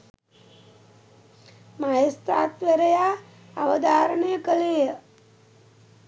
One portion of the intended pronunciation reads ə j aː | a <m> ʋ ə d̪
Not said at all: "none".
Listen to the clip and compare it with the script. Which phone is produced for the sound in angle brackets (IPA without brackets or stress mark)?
none